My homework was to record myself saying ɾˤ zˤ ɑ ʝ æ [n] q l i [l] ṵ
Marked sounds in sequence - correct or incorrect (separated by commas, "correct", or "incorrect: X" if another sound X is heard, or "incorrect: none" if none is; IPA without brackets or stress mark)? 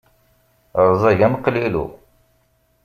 incorrect: m, correct